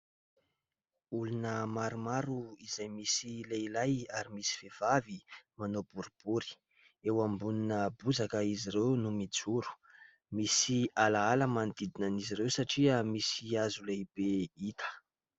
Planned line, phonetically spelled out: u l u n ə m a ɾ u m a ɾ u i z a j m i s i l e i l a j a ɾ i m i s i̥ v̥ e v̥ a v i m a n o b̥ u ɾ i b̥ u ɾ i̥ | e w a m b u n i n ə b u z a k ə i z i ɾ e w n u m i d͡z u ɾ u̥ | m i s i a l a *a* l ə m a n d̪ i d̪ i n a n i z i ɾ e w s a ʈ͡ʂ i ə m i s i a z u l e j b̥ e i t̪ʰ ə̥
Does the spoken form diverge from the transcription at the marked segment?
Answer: no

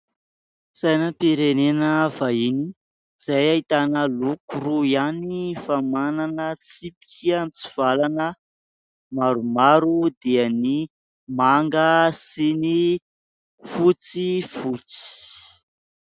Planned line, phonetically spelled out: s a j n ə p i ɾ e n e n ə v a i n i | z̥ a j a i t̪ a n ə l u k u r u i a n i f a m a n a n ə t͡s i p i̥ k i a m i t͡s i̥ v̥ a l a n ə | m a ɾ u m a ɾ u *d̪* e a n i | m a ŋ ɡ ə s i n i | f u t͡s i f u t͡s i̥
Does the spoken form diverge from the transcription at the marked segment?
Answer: no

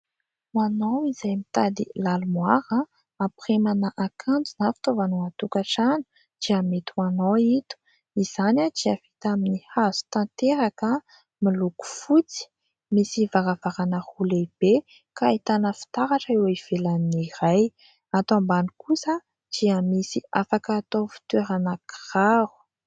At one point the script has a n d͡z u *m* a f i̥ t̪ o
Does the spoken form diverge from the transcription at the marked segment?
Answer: yes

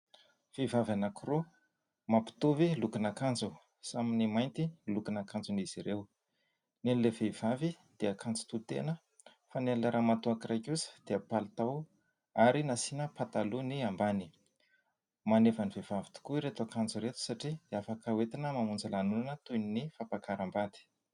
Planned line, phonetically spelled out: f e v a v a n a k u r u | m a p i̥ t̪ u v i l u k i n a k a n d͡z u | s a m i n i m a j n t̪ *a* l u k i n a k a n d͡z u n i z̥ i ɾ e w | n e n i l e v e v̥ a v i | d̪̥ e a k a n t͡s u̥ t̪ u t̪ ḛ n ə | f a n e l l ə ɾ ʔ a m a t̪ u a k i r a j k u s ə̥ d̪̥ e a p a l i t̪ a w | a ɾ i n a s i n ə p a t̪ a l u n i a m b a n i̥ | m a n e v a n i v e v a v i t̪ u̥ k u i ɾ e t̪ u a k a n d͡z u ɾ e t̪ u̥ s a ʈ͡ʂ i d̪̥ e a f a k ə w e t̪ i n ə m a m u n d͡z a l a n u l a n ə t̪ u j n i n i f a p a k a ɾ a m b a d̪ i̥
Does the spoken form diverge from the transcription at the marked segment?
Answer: yes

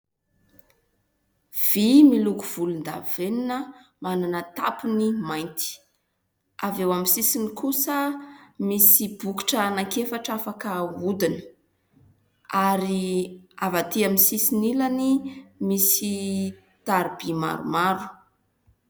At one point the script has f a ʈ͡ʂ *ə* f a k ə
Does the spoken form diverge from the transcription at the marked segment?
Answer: yes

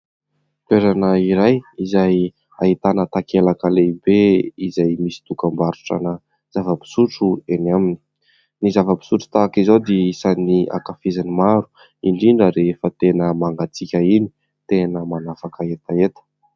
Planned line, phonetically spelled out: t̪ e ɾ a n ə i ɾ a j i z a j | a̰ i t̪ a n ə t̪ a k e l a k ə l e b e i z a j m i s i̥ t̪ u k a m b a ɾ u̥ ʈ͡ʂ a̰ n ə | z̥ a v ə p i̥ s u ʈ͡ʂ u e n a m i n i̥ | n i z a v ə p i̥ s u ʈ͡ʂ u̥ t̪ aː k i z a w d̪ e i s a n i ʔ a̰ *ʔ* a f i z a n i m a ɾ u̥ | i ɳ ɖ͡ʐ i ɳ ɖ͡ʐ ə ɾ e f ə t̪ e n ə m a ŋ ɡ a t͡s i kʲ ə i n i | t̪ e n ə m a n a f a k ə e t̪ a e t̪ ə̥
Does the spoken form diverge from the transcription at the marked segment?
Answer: yes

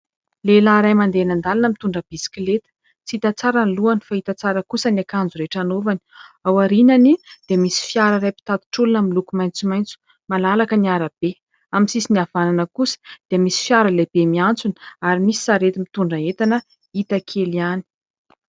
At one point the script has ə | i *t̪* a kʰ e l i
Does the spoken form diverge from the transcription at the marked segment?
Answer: no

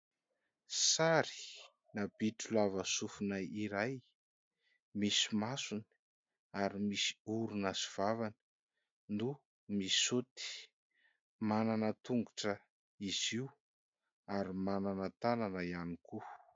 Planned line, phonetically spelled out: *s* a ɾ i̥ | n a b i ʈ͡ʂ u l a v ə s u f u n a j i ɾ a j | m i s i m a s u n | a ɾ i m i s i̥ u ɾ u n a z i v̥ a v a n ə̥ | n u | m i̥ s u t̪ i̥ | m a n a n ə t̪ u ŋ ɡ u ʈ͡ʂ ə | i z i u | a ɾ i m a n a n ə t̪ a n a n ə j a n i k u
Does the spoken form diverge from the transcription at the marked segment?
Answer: no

